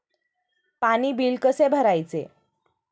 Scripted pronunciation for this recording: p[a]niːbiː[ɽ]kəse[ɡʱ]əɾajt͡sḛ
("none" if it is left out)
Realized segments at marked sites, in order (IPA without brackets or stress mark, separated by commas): a, l, bʱ